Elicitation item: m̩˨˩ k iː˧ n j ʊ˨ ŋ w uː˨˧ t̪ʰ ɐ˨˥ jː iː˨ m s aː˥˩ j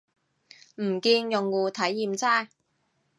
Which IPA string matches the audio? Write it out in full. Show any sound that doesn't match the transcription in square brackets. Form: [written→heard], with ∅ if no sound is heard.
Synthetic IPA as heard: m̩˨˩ k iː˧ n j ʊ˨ ŋ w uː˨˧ t̪ʰ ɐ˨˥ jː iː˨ m [s→t͡s] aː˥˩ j